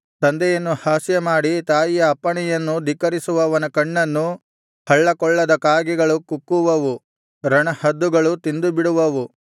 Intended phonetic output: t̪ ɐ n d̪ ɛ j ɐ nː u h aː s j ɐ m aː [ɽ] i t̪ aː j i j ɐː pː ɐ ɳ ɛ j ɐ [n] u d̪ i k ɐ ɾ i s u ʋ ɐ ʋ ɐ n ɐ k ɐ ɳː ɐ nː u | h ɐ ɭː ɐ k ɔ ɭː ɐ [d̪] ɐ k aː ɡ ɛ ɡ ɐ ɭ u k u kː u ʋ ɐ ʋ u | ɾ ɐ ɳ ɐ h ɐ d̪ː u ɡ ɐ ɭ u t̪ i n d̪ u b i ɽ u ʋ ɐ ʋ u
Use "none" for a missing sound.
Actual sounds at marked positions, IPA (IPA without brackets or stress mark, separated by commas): ɽ, nː, d̪